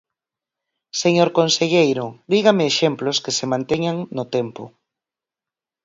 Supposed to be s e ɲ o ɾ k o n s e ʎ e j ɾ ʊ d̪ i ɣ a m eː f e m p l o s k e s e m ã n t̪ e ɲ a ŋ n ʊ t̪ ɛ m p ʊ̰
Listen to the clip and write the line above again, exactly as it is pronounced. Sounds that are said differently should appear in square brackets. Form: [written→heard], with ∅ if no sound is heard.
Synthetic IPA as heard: s e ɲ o ɾ k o n s e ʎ e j ɾ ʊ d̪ i ɣ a m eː [f→ʃ] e m p l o s k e s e m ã n t̪ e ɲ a ŋ n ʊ t̪ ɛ m p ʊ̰